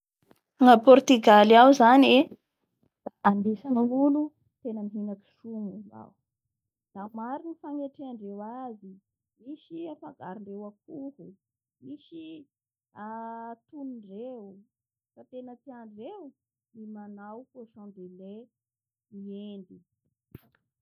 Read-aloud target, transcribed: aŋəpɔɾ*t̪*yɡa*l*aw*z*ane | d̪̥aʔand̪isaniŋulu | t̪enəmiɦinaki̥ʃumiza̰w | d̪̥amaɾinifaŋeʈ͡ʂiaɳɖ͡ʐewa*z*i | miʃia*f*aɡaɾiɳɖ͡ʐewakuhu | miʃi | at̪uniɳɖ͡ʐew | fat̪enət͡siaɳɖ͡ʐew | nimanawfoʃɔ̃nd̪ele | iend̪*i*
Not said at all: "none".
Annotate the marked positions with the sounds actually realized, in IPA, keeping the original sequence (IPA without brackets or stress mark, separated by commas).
t̪, l, z, z, f, i